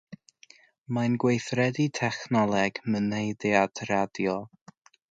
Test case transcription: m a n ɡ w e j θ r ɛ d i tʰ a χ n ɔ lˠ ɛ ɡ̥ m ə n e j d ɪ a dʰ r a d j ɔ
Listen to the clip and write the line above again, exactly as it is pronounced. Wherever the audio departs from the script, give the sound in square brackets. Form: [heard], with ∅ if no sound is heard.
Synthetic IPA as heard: m a n ɡ w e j θ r ɛ d i tʰ [ɛ] χ n ɔ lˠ ɛ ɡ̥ m ə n e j d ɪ a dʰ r a d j ɔ